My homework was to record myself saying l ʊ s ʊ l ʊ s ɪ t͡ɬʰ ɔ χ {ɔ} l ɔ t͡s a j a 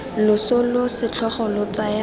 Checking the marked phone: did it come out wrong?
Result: no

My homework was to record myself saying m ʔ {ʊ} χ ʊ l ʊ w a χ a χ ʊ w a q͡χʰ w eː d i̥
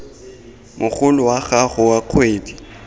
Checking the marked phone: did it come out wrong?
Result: no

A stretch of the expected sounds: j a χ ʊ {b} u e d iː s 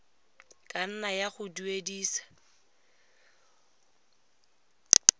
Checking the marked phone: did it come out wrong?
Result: yes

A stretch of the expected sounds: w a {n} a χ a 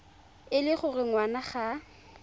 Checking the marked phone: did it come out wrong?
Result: no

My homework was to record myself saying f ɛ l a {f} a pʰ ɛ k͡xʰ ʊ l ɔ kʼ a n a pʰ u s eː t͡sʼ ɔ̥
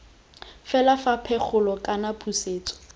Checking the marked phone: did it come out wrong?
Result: no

